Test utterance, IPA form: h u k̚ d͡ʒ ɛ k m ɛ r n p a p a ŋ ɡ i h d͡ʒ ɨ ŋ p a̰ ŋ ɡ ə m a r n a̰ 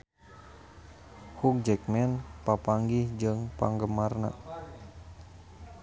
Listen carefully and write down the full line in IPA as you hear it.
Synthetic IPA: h u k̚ d͡ʒ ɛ k m ɛ n p a p a ŋ ɡ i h d͡ʒ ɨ ŋ p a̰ ŋ ɡ ə m a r n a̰